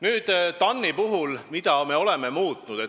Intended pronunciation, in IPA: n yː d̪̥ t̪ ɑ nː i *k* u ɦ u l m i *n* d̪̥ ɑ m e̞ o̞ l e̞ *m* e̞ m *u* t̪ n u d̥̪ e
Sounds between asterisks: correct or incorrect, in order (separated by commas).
incorrect, incorrect, correct, incorrect